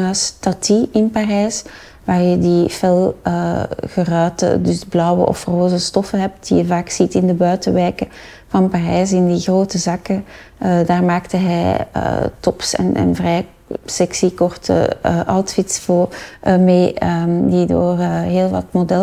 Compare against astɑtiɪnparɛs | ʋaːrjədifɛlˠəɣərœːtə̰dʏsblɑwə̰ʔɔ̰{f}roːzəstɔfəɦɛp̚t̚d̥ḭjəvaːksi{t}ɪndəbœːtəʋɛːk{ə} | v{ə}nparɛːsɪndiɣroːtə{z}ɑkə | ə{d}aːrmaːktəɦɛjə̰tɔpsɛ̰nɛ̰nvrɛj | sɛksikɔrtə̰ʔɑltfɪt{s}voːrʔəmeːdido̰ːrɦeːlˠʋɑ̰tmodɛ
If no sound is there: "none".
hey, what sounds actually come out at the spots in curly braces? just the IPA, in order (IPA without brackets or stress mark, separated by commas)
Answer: f, t, ə, ɑ, z, d, s